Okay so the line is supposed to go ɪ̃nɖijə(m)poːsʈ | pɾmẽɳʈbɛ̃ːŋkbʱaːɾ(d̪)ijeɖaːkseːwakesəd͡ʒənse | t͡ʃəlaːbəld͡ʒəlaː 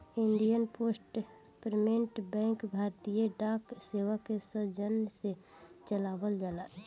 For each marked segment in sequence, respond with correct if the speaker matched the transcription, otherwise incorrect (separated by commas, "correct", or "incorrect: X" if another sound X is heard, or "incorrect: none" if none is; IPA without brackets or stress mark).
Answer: incorrect: n, incorrect: t̪